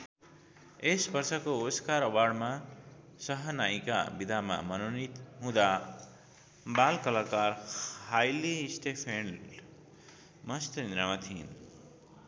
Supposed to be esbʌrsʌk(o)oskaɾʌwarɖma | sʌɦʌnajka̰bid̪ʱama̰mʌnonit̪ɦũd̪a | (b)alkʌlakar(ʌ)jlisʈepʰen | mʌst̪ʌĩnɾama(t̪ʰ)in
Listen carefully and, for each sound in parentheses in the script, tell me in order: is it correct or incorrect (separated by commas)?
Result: correct, correct, incorrect, correct